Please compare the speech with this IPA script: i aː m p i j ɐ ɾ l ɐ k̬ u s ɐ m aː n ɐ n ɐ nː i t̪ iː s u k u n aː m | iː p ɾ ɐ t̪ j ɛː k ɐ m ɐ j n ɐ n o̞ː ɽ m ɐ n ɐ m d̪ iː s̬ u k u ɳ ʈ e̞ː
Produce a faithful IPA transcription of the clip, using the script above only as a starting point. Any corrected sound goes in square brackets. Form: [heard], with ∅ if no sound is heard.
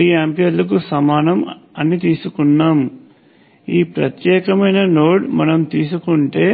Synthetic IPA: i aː m p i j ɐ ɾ l ɐ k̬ u s ɐ m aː n ɐ [m] ɐ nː i t̪ iː s u k u [nː] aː m | iː p ɾ ɐ t̪ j ɛː k ɐ m ɐ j n ɐ n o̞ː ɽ m ɐ n ɐ m [t̪] iː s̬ u k u ɳ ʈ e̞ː

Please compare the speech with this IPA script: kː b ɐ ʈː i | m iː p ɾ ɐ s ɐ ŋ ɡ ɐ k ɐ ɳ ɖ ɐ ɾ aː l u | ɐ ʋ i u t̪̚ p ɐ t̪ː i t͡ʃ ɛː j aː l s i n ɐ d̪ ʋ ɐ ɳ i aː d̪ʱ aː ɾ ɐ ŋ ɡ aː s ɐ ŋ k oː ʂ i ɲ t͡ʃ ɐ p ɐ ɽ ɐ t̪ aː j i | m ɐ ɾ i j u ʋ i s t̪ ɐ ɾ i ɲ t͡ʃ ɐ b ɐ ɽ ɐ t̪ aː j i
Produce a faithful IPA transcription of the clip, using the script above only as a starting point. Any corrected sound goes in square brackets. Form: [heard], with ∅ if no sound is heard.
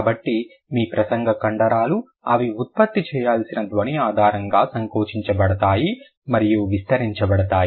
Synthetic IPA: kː b ɐ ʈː i | m iː p ɾ ɐ s ɐ ŋ ɡ ɐ k ɐ ɳ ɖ ɐ ɾ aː l u | ɐ ʋ i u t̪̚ p ɐ t̪ː i t͡ʃ ɛː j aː l s i n ɐ d̪ ʋ ɐ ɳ i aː d̪ʱ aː ɾ ɐ ŋ ɡ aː s ɐ ŋ k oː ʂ i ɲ t͡ʃ ɐ [b] ɐ ɽ ɐ t̪ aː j i | m ɐ ɾ i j u ʋ i s t̪ ɐ ɾ i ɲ t͡ʃ ɐ b ɐ ɽ ɐ t̪ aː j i

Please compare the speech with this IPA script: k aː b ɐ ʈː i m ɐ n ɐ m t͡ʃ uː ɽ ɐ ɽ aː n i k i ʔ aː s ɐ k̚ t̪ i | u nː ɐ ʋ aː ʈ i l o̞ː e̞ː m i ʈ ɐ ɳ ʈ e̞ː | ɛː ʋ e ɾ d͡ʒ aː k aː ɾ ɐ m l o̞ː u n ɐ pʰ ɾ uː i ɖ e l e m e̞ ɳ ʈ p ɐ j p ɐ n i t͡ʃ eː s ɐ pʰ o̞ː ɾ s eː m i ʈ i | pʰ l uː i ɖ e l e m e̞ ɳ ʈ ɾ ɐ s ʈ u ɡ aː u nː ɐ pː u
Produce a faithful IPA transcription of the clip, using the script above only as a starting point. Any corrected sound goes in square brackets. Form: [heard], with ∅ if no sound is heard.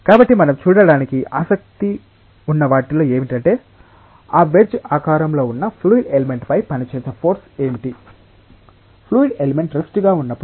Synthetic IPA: k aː b ɐ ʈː i m ɐ n ɐ m t͡ʃ uː ɽ ɐ ɽ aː n i k i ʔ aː s ɐ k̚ t̪ i | u nː ɐ ʋ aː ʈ i l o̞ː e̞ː m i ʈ ɐ ɳ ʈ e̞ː | [aː] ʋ e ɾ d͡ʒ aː k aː ɾ ɐ m l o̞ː u [nː] ɐ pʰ [l] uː i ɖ e l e m e̞ ɳ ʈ p ɐ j p ɐ n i t͡ʃ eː s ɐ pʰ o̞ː ɾ s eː m i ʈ i | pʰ l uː i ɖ e l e m e̞ ɳ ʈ ɾ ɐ s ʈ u ɡ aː u nː ɐ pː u

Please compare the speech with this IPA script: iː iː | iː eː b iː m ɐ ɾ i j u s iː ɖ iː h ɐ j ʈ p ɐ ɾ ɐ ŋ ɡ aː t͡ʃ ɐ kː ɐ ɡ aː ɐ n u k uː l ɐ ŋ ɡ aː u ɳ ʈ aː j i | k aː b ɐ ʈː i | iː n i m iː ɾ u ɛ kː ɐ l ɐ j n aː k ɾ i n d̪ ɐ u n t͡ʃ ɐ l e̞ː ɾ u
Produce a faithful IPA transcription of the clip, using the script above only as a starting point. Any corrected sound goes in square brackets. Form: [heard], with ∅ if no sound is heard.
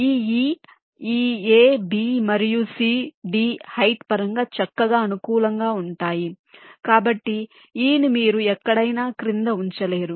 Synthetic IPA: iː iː | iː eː b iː m ɐ ɾ i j u s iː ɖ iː h ɐ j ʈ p ɐ ɾ ɐ ŋ ɡ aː t͡ʃ ɐ kː ɐ ɡ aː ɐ n u k uː l ɐ ŋ ɡ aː u ɳ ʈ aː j i | k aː b ɐ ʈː i | iː n i m iː ɾ u ɛ kː ɐ [ɽ] ɐ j n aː k ɾ i n d̪ ɐ u [ɲ] t͡ʃ ɐ l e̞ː ɾ u

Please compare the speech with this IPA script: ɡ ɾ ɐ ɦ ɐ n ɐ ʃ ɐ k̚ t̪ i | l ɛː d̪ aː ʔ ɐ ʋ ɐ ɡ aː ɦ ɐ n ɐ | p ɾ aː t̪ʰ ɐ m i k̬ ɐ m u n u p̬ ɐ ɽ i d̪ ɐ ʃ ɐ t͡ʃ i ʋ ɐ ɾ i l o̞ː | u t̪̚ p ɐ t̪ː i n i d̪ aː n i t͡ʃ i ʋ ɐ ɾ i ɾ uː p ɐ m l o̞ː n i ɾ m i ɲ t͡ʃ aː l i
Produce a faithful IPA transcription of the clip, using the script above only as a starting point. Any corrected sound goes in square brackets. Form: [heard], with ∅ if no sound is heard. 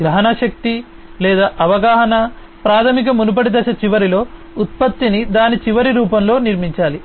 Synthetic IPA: ɡ ɾ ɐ ɦ ɐ n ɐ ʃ ɐ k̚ t̪ i | l ɛː d̪ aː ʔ ɐ ʋ ɐ ɡ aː ɦ ɐ n ɐ | p ɾ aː t̪ʰ ɐ m i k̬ ɐ m u n u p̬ ɐ ɽ i d̪ ɐ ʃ ɐ t͡ʃ i ʋ ɐ ɾ i l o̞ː | u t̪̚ p ɐ t̪ː i n i d̪ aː n i t͡ʃ i ʋ ɐ ɾ i ɾ uː p ɐ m l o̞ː n i ɾ m i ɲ t͡ʃ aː l i

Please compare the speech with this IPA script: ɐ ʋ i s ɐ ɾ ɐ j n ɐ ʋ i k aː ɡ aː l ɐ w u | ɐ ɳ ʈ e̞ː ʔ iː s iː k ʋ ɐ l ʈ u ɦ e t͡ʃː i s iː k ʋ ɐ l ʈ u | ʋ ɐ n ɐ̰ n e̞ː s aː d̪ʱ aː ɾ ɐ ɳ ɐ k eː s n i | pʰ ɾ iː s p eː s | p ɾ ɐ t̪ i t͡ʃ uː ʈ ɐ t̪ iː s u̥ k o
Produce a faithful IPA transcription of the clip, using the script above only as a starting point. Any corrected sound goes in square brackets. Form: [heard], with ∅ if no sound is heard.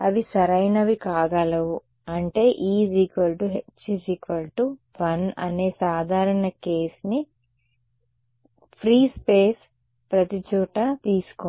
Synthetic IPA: ɐ ʋ i s ɐ ɾ ɐ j n ɐ ʋ i k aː ɡ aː l ɐ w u | ɐ ɳ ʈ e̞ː ʔ iː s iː k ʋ ɐ l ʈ u ɦ e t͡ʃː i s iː k ʋ ɐ l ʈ u | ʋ ɐ n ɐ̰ n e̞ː s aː d̪ʱ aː ɾ ɐ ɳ ɐ k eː s n i | pʰ ɾ iː s p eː s | p ɾ ɐ t̪ i t͡ʃ uː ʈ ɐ t̪ iː s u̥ k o

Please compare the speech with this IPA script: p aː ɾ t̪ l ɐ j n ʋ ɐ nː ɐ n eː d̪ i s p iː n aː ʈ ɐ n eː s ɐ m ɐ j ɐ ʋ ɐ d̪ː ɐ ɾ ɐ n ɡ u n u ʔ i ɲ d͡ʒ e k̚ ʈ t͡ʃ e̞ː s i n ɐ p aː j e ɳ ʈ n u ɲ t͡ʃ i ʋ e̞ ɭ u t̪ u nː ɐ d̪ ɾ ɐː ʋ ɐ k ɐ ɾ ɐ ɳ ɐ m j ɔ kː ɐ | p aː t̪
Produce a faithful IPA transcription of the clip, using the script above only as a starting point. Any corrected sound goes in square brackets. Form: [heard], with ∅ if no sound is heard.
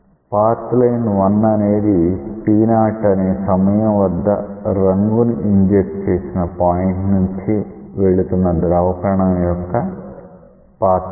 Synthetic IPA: p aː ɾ t̪ l ɐ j n ʋ ɐ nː ɐ n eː d̪ i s p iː n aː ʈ ɐ n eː s ɐ m ɐ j ɐ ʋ ɐ d̪ː ɐ ɾ ɐ [ŋ] ɡ u n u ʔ i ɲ d͡ʒ e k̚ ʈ t͡ʃ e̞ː s i n ɐ p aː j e ɳ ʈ n u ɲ t͡ʃ i ʋ e̞ ɭ u t̪ u nː ɐ d̪ ɾ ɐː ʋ ɐ k ɐ ɾ ɐ ɳ ɐ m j ɔ kː ɐ | p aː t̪

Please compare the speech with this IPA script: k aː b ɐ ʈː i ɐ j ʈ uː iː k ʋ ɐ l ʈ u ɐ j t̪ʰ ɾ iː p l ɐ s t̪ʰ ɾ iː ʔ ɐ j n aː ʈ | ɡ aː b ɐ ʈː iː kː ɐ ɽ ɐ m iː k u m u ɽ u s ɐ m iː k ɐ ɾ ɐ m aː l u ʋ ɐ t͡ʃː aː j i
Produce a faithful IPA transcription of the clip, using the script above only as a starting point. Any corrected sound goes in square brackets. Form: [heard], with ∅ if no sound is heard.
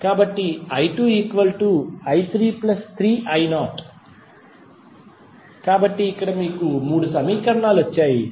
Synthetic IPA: k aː b ɐ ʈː i ɐ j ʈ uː iː k ʋ ɐ l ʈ u ɐ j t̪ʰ ɾ iː p l ɐ s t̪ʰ ɾ iː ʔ ɐ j n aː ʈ | [k] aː b ɐ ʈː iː kː ɐ ɽ ɐ m iː k u m [uː] ɽ u s ɐ m iː k ɐ ɾ ɐ [ɳ] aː l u ʋ ɐ t͡ʃː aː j i

